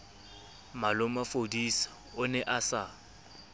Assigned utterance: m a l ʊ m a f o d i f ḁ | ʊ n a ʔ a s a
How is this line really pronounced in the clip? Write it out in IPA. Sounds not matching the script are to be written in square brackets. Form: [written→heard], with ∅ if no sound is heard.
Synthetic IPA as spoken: m a l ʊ m a f o d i [f→s] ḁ | ʊ n [a→ɛ] ʔ a s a